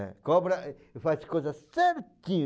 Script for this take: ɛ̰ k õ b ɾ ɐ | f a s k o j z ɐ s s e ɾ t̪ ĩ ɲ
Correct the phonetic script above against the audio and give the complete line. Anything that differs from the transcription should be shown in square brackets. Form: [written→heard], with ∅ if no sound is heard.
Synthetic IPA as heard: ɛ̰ k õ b ɾ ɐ | f a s k o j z ɐ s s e ɾ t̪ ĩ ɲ